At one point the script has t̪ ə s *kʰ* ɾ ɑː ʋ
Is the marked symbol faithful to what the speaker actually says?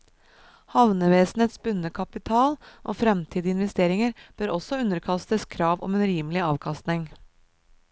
yes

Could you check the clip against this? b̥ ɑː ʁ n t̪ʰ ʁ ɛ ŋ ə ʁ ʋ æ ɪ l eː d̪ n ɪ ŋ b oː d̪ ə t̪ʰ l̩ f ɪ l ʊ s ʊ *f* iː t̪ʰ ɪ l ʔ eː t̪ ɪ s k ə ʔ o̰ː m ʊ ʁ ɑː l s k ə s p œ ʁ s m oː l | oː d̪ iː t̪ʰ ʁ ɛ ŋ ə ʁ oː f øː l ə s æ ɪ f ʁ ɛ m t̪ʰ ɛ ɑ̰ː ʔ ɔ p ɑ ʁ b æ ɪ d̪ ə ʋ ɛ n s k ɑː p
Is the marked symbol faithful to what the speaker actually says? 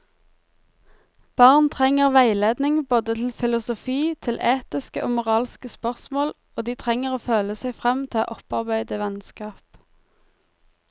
yes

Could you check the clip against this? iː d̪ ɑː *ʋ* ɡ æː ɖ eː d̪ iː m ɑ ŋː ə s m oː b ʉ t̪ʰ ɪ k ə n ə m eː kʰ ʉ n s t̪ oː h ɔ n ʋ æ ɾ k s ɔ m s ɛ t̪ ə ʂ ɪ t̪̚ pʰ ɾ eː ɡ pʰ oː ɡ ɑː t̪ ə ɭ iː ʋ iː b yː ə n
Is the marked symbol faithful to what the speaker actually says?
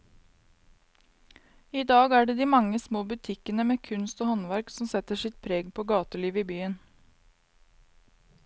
no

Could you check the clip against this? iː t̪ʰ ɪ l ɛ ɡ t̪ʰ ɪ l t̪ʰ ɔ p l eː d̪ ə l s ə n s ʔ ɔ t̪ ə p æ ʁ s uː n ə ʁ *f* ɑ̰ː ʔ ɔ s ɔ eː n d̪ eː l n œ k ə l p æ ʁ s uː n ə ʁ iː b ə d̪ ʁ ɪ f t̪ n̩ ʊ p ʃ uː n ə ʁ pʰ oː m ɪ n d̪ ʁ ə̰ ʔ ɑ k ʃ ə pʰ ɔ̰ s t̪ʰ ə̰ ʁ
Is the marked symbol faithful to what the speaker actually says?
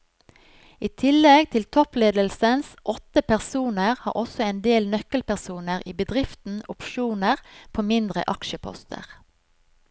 no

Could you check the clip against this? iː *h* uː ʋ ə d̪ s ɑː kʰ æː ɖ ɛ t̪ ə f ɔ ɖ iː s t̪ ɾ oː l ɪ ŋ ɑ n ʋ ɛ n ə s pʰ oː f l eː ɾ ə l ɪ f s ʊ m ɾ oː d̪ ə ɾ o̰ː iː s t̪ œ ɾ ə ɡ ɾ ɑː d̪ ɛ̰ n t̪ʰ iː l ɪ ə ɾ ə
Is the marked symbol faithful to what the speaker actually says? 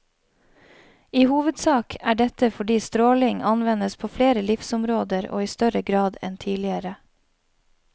yes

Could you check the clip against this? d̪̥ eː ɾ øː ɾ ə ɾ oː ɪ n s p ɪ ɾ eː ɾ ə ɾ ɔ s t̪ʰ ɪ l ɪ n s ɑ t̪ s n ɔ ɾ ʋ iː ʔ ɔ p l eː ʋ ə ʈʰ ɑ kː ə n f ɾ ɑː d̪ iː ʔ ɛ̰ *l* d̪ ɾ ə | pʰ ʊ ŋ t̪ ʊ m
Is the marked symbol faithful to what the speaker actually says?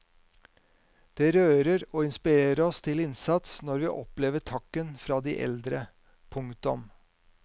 yes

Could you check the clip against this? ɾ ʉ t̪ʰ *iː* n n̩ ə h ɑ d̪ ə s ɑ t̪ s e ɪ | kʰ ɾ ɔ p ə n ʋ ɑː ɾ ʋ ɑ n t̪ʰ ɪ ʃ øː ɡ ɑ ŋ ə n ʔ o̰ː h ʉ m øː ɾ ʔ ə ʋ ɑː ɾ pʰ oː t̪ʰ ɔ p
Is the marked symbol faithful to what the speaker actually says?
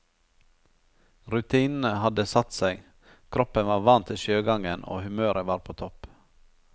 yes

